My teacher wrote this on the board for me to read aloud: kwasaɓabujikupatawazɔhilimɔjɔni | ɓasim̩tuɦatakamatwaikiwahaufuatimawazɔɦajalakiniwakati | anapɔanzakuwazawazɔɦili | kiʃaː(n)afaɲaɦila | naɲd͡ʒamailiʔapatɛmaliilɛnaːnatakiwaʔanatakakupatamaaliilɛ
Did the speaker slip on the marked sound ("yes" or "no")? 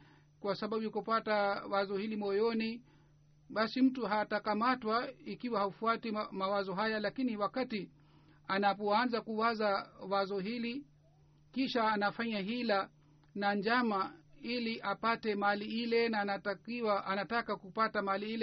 no